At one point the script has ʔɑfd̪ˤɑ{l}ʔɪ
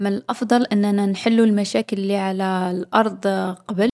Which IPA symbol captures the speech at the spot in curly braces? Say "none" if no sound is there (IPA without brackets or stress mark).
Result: l